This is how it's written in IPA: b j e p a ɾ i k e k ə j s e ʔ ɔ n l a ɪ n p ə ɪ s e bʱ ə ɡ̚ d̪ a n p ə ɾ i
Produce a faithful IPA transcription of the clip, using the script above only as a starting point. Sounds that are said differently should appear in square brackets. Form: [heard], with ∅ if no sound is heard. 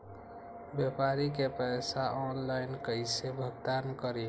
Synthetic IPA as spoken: b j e p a ɾ i k e [p] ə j s [a] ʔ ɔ n l a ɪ n [k] ə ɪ s e bʱ ə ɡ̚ d̪ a n [k] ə ɾ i